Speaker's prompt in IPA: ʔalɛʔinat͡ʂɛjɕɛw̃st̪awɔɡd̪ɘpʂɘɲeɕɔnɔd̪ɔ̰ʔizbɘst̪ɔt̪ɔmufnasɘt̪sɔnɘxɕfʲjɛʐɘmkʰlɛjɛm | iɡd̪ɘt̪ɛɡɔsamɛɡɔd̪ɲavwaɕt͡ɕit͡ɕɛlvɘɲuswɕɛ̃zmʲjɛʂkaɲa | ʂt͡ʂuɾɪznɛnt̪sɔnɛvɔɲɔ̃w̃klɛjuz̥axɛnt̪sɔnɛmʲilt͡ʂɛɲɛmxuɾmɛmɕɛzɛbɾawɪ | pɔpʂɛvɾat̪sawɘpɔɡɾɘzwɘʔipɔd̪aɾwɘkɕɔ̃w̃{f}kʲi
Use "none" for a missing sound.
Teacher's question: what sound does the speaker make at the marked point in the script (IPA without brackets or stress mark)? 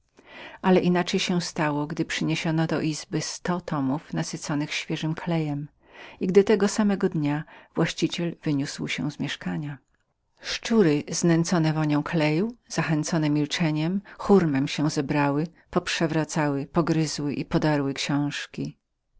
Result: ʂ